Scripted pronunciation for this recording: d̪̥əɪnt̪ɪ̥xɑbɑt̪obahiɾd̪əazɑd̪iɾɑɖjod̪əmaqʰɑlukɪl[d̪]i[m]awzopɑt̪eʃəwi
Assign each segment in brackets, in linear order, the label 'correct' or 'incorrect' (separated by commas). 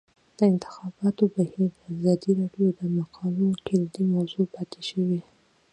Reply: correct, correct